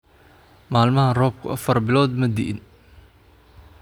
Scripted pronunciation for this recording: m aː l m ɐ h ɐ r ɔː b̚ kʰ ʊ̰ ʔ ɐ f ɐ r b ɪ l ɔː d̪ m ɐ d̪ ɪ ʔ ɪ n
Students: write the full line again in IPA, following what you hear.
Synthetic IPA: m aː l m ɐ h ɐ r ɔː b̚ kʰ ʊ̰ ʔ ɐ f ɐ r b ɪ l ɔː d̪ m ɐ d̪ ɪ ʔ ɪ n